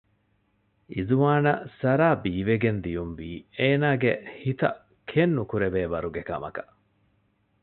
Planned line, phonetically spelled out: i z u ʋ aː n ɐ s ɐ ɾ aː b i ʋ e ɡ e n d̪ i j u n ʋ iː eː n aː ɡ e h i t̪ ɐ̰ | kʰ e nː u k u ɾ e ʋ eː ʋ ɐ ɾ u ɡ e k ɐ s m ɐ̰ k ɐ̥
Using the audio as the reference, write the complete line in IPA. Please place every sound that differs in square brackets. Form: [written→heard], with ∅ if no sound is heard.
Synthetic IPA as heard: i z u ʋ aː n ɐ s ɐ ɾ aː b [i→iː] ʋ e ɡ e n d̪ i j u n ʋ iː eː n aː ɡ e h i t̪ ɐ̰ | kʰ e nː u k u ɾ e ʋ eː ʋ ɐ ɾ u ɡ e k ɐ [s→∅] m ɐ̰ k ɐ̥

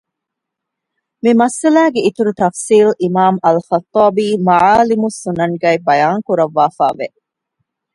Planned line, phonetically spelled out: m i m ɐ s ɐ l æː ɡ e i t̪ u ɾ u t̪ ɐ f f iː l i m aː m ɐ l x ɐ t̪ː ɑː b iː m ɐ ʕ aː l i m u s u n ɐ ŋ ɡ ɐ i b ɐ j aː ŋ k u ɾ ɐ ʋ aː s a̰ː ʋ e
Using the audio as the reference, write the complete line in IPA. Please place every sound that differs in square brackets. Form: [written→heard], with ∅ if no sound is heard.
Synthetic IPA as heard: m i m ɐ s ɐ l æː ɡ e i t̪ u ɾ u t̪ ɐ f [f→s] iː l i m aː m ɐ l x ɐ t̪ː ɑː b iː m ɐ ʕ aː l i m u s u n ɐ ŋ ɡ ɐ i b ɐ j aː ŋ k u ɾ ɐ [ʋ→ʋː] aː [s→f] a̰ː ʋ e

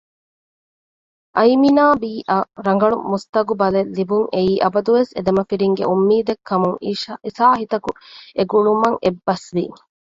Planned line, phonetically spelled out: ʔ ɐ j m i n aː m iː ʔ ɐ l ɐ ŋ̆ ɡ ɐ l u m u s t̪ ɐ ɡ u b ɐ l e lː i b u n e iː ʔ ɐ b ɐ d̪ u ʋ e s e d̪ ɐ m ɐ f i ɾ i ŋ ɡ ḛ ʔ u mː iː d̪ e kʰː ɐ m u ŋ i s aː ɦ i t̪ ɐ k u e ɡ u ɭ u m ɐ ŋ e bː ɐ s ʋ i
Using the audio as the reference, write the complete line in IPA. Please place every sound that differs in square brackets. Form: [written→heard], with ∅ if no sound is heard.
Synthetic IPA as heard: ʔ ɐ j m i n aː [m→b] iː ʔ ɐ [l→ɾ] ɐ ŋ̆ ɡ ɐ [l→ɭ] u m u s t̪ ɐ ɡ u b ɐ l e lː i b u [n→ŋ] e iː ʔ ɐ b ɐ d̪ u ʋ e s e d̪ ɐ m ɐ f i ɾ i ŋ ɡ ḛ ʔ u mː iː d̪ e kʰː ɐ m u ŋ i s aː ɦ i t̪ ɐ k u e ɡ u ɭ u m ɐ ŋ e bː ɐ s ʋ i

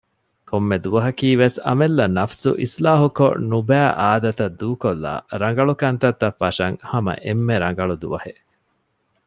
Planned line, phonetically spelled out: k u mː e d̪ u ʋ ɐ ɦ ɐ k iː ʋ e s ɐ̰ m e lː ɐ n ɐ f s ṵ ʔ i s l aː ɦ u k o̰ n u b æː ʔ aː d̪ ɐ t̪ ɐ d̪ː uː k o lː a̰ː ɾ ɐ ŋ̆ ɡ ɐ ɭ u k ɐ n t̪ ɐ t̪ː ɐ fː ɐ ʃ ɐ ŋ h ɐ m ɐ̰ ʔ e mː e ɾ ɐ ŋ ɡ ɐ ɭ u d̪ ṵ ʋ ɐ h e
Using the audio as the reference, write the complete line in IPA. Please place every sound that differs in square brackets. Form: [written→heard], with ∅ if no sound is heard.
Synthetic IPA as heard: k [u→o] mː e d̪ u ʋ ɐ ɦ ɐ k iː ʋ e s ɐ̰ m e lː ɐ n ɐ f s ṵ ʔ i s l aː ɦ u k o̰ n u b æː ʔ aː d̪ ɐ t̪ ɐ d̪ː uː k o lː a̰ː ɾ ɐ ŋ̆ ɡ ɐ ɭ u k ɐ n t̪ ɐ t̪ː ɐ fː ɐ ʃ ɐ ŋ h ɐ m ɐ̰ ʔ e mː e ɾ ɐ ŋ ɡ ɐ ɭ u d̪ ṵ ʋ ɐ h e

